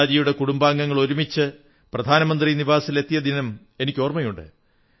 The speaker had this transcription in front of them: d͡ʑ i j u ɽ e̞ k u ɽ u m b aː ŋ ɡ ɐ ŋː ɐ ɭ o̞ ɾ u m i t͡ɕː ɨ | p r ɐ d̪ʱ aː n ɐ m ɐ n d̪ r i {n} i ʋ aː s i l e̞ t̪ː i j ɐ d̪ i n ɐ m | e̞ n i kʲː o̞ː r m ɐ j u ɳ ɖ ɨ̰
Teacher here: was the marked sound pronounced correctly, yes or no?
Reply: yes